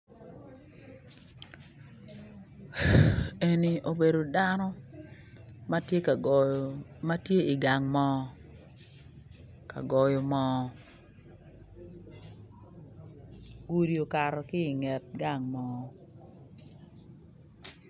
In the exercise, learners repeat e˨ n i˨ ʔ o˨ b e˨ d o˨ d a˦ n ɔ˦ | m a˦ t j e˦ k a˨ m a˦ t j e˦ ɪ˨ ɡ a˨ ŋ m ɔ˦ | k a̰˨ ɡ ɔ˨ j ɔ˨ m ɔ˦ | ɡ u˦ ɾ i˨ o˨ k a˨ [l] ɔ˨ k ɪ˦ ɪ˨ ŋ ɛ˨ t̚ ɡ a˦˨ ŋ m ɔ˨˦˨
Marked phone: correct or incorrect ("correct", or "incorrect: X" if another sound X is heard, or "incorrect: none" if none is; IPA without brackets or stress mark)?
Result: incorrect: ɾ